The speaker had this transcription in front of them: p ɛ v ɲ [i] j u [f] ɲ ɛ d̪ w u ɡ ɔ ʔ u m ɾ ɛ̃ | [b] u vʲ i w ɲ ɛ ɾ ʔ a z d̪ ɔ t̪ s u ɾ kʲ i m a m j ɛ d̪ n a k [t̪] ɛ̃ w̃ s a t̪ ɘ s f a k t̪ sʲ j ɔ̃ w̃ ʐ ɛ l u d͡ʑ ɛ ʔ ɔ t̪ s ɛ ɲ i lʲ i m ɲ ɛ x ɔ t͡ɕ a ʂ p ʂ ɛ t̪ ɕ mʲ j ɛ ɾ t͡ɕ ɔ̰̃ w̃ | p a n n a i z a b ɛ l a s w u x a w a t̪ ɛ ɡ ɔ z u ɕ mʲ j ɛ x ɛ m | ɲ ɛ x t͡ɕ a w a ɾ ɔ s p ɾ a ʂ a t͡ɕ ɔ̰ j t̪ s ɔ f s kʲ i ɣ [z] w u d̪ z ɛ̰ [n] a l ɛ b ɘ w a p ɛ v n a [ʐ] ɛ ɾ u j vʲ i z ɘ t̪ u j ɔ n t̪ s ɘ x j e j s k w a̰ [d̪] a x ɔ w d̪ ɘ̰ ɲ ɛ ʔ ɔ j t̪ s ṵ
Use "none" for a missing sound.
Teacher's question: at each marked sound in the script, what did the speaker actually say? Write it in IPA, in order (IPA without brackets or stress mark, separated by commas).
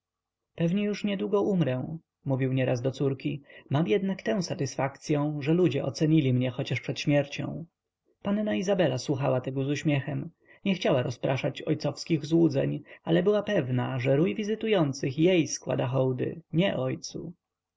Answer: ɛ, ʂ, m, t̪, z, ɲ, ʐ, d̪